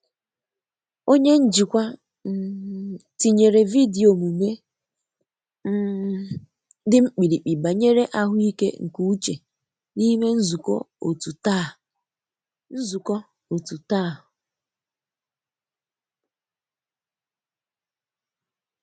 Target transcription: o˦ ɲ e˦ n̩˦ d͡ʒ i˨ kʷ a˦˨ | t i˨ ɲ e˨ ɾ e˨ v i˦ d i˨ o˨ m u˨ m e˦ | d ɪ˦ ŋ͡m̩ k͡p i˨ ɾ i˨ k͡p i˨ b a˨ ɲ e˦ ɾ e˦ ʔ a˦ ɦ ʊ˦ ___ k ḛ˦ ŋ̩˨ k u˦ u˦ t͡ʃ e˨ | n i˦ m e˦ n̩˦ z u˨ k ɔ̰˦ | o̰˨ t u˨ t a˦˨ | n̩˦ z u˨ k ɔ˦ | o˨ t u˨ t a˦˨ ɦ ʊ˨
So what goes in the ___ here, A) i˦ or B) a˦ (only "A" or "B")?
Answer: A